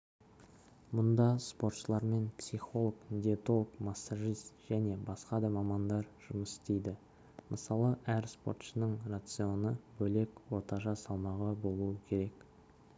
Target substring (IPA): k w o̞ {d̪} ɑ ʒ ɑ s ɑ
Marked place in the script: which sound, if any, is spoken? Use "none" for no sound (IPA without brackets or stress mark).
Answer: t̪